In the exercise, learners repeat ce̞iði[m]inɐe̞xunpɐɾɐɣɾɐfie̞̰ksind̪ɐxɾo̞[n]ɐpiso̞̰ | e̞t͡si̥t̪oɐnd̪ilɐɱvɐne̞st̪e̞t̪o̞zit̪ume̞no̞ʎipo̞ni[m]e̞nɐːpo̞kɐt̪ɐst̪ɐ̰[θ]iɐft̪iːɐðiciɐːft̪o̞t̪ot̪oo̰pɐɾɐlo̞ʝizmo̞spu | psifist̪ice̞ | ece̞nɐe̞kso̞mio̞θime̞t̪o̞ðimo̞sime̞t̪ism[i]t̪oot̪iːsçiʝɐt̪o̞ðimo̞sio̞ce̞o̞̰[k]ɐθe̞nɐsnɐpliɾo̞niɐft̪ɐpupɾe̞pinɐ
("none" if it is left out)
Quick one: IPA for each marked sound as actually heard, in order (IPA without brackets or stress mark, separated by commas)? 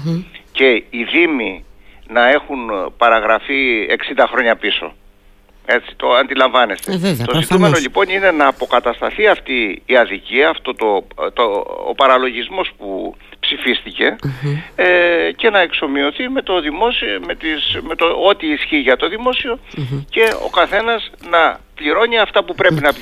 m, ɲ, n, θ, e, k